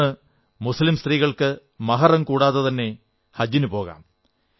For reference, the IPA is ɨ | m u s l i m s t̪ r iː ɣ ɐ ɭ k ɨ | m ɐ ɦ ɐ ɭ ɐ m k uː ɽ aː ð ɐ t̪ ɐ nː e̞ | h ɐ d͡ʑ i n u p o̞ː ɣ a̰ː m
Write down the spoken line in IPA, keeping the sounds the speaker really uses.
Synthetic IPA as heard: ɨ | m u s l i m s t̪ r iː ɣ ɐ ɭ k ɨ | m ɐ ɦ ɐ r ɐ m k uː ɽ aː ð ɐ t̪ ɐ nː e̞ | h ɐ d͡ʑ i n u p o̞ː ɣ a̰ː m